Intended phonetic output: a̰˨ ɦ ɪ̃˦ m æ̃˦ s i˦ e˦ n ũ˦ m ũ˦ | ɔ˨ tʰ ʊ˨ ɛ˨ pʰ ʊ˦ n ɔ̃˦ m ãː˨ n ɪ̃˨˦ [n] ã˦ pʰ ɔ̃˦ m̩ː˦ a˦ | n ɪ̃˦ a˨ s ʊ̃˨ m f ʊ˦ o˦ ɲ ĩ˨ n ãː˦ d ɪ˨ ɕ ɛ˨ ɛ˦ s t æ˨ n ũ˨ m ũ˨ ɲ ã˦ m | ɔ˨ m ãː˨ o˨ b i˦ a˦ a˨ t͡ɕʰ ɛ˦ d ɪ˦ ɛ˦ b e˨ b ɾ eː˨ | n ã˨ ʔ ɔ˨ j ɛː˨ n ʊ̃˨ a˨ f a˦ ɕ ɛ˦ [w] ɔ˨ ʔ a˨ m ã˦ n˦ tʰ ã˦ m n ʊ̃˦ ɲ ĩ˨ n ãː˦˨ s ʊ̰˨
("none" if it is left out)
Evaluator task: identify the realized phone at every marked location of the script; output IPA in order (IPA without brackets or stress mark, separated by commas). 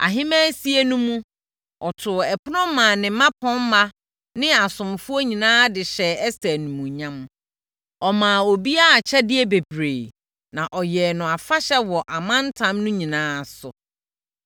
m, w